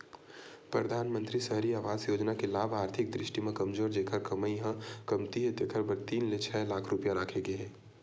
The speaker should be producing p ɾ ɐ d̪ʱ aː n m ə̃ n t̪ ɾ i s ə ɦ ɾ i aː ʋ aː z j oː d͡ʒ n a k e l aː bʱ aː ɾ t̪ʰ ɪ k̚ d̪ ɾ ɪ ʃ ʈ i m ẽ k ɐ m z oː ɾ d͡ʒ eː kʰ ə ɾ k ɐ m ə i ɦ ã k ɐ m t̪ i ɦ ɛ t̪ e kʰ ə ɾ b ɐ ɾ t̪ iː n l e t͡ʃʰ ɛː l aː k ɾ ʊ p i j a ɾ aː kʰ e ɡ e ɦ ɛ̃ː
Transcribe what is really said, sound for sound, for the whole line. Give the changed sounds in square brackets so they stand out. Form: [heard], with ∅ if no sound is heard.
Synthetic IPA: p ɾ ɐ d̪ʱ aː n m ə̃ n t̪ ɾ i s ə ɦ ɾ i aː ʋ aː z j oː d͡ʒ n a k e l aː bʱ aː ɾ t̪ʰ ɪ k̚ d̪ ɾ ɪ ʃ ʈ i m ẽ k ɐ m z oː ɾ d͡ʒ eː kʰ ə ɾ k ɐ m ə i ɦ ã k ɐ m t̪ i ɦ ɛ t̪ e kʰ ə ɾ b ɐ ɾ t̪ iː n l e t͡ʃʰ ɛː l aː [kʰ] ɾ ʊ p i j a ɾ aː kʰ e ɡ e ɦ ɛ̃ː